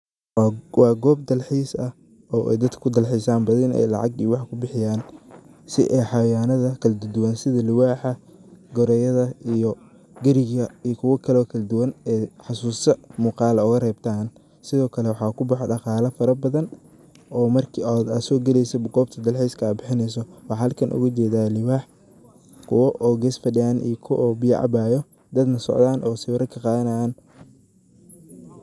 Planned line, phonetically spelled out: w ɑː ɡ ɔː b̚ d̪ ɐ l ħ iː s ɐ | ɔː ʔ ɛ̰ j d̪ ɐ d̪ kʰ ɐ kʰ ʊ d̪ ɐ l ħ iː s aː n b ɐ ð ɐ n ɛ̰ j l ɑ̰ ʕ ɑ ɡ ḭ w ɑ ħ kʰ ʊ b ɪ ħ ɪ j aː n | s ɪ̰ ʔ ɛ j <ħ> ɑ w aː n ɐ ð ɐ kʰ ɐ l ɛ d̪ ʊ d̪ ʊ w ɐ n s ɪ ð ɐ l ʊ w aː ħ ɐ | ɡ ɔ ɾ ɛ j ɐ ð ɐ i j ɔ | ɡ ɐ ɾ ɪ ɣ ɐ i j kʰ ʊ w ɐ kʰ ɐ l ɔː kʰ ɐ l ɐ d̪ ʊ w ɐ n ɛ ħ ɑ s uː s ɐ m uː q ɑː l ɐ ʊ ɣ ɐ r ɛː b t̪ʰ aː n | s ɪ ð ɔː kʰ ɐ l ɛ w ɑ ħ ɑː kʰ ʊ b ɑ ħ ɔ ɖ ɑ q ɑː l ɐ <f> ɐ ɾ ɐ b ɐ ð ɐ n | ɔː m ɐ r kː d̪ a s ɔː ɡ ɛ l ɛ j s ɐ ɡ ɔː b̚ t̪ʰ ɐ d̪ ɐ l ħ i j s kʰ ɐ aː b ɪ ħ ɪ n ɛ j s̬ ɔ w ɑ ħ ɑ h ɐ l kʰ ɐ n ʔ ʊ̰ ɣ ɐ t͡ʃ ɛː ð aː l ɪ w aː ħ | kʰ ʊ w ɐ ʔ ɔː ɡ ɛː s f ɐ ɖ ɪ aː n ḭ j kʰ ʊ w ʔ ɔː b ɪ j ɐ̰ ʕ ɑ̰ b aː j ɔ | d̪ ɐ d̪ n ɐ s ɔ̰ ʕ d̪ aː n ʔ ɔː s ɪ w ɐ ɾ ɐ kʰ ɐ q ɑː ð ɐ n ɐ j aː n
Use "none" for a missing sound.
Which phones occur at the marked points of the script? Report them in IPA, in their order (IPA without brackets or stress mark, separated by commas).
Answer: ħ, f